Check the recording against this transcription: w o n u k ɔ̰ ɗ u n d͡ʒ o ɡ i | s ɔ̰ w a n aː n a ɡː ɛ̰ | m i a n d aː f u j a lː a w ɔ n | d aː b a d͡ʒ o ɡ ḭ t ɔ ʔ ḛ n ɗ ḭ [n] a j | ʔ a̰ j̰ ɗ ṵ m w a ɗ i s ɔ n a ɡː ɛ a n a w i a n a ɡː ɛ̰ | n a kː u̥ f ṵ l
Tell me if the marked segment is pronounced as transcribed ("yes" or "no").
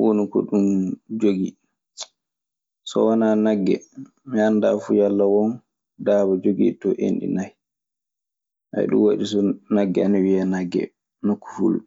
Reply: yes